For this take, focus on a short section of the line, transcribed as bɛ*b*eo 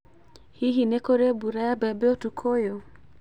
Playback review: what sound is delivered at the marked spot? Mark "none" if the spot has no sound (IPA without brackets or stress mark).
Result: b